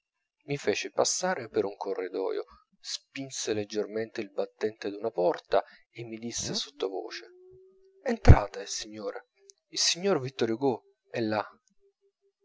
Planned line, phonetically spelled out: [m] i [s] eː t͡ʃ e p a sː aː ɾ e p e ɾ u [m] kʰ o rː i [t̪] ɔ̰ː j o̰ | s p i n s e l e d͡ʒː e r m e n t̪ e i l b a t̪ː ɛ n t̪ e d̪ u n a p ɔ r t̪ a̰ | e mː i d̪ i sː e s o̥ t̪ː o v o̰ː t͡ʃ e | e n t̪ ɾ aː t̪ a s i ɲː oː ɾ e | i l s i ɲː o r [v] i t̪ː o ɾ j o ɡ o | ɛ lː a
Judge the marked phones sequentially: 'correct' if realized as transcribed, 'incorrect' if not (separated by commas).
correct, incorrect, incorrect, incorrect, correct